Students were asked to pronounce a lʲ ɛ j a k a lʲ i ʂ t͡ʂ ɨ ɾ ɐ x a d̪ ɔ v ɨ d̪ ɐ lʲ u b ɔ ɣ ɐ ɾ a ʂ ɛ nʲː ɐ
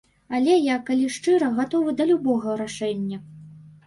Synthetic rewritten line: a lʲ ɛ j a k a lʲ i ʂ t͡ʂ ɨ ɾ ɐ ɣ a t̪ ɔ v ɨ d̪ ɐ lʲ u b ɔ ɣ ɐ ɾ a ʂ ɛ nʲː ɐ